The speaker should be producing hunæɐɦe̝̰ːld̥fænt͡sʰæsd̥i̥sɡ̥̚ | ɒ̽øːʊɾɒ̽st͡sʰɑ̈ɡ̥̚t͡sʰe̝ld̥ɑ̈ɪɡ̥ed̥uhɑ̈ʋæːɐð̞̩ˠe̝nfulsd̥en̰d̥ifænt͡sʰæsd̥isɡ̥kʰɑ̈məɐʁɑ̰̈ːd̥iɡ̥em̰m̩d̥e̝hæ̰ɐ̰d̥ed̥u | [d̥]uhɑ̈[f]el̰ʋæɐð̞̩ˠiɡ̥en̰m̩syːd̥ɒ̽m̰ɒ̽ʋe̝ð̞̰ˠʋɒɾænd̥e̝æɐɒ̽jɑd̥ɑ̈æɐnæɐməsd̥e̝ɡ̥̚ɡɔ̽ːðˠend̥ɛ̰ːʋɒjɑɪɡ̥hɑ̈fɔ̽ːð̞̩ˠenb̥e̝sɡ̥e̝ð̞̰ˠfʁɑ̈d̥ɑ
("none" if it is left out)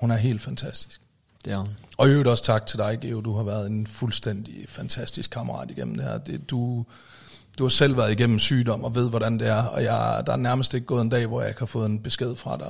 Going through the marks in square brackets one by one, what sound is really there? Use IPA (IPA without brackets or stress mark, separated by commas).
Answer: d̥, s